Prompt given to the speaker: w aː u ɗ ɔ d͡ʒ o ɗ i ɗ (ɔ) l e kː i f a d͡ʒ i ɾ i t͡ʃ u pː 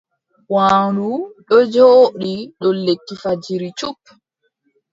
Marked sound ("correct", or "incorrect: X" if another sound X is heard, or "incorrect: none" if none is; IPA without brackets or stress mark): correct